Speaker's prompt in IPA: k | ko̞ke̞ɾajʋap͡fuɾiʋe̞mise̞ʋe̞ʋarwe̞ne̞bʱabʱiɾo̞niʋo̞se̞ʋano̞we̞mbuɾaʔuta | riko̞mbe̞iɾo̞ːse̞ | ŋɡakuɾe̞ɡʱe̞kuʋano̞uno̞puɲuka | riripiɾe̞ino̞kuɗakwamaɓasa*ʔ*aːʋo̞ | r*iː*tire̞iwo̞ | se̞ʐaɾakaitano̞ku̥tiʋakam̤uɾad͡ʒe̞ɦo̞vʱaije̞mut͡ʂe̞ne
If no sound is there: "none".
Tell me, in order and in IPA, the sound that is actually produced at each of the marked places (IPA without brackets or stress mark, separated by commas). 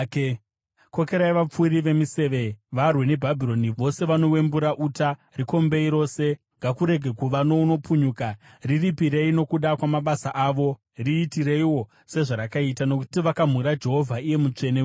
ʔ, iː